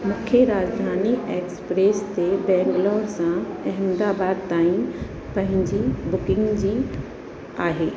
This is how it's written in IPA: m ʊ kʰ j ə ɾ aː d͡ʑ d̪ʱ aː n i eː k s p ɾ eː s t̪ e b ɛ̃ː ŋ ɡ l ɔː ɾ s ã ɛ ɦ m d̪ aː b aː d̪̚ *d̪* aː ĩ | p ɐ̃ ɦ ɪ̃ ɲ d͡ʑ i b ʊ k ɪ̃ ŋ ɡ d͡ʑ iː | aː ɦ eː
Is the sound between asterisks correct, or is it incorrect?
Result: incorrect: t̪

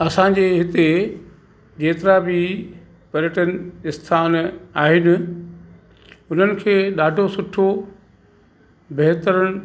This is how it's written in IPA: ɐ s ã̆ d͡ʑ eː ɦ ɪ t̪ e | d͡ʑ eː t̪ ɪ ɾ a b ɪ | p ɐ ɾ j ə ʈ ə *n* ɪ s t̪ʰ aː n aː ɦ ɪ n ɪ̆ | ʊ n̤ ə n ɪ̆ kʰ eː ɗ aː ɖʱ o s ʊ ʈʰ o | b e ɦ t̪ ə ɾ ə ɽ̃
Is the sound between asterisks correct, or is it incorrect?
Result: correct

